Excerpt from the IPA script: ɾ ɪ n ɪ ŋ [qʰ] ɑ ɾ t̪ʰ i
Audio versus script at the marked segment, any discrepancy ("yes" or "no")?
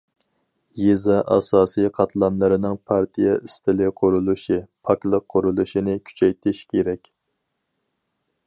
yes